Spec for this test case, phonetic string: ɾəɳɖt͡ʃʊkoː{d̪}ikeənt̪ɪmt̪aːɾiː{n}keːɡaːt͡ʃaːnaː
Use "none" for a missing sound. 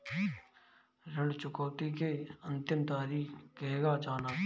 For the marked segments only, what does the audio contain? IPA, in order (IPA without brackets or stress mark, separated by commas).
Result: t̪, none